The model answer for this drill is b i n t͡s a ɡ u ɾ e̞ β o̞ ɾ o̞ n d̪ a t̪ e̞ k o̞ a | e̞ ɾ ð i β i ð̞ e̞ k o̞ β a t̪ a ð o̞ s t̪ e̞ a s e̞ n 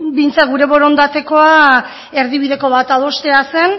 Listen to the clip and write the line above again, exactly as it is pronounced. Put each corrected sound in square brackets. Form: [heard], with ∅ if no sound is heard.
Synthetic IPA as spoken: b i n t͡s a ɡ u ɾ e̞ β o̞ ɾ o̞ n d̪ a t̪ e̞ k o̞ a | e̞ ɾ ð i β i ð̞ e̞ k o̞ β a t̪ a ð o̞ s t̪ e̞ a s e̞ n